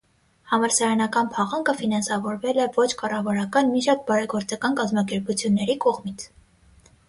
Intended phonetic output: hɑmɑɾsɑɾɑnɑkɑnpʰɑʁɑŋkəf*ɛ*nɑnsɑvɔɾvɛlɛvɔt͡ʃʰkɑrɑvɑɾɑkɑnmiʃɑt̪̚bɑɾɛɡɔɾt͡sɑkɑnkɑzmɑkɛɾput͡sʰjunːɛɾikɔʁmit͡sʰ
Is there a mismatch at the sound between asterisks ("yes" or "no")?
yes